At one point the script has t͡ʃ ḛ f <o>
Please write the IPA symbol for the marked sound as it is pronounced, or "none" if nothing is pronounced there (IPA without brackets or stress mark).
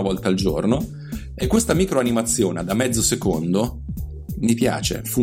u